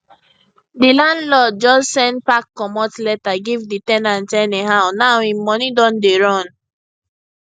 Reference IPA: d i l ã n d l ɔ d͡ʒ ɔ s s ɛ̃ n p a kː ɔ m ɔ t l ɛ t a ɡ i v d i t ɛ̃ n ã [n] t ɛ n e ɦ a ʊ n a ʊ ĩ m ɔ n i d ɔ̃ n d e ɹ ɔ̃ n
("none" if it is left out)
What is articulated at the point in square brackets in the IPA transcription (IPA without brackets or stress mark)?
n